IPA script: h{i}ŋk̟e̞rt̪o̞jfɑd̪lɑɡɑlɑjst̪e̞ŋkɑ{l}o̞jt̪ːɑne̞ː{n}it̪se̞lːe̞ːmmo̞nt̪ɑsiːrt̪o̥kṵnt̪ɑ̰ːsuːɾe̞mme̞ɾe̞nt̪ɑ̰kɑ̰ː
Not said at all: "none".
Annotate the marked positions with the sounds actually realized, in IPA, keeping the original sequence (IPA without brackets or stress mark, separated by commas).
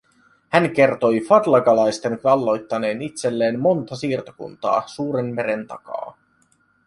æ, lː, n